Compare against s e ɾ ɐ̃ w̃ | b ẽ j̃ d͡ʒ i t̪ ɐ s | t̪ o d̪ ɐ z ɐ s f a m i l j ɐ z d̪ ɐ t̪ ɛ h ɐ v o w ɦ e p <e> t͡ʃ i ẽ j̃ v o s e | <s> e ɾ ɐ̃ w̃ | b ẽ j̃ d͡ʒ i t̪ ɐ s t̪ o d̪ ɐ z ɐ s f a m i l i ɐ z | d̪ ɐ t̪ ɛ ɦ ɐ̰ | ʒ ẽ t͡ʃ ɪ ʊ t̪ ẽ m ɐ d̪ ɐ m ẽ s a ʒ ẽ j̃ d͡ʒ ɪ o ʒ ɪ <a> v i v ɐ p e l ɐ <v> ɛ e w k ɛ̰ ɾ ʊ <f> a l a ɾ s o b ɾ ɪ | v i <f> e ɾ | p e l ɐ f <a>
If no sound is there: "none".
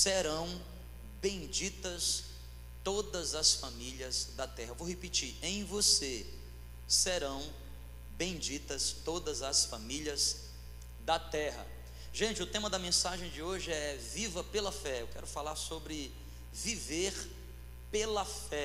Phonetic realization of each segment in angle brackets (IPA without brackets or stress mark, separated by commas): i, s, ɛ, f, f, v, ɛ